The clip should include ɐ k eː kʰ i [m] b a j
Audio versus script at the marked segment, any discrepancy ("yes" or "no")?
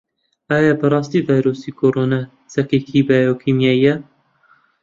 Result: yes